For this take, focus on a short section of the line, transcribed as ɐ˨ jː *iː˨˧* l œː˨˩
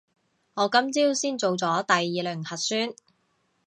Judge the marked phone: correct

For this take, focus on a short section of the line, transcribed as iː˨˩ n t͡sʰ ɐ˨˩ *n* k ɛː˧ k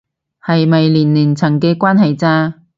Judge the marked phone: incorrect: ŋ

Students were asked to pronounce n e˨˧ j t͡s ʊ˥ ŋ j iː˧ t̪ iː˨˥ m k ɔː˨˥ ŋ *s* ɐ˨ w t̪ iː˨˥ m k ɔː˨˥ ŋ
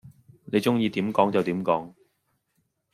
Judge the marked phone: incorrect: t͡s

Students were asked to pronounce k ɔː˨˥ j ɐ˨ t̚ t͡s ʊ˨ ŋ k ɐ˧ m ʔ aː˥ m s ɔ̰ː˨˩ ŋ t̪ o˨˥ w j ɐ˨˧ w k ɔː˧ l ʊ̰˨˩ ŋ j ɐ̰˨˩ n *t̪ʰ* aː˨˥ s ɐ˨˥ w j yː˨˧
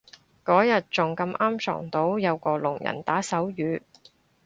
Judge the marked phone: incorrect: t̪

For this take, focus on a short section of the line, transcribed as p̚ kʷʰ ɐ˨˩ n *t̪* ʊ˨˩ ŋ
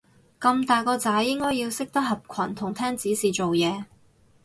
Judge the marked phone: incorrect: t̪ʰ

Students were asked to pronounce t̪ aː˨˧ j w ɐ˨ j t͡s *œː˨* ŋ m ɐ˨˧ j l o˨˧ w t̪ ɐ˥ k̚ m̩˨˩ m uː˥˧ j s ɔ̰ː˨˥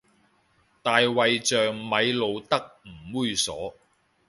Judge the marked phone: correct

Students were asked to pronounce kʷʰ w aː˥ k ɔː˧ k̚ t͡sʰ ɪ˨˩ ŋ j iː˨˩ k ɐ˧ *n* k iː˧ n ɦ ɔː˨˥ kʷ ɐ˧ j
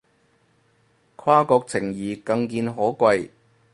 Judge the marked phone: incorrect: ŋ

